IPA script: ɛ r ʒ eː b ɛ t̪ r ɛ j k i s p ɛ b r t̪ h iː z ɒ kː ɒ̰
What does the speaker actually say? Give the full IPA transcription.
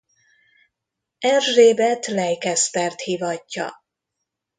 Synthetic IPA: ɛ r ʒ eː b ɛ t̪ l ɛ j k ɛ s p ɛ r t̪ h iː v ɒ cː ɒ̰